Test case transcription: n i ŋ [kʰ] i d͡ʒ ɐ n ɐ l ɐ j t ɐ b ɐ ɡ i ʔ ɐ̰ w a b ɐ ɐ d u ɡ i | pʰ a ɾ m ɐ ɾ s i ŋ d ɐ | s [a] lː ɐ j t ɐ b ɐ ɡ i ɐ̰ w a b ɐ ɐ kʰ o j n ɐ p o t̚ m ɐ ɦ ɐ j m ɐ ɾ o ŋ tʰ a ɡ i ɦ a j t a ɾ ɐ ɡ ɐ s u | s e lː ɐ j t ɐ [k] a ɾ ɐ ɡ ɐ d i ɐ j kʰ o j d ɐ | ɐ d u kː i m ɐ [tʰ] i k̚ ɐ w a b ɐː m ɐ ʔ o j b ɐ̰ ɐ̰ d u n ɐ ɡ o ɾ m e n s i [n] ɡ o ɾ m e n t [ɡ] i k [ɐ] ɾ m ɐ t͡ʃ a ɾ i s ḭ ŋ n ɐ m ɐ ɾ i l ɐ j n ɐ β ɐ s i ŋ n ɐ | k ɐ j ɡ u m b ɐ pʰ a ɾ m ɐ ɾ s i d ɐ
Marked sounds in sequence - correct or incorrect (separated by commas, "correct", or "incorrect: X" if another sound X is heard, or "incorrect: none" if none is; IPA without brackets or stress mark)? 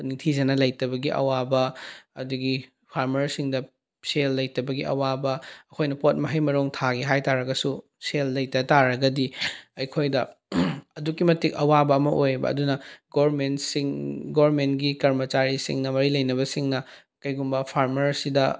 incorrect: tʰ, incorrect: e, incorrect: t, incorrect: t, incorrect: ŋ, correct, correct